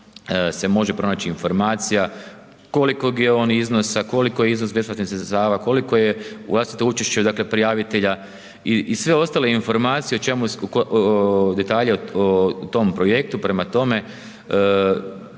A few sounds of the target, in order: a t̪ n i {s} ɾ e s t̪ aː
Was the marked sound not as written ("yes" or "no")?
no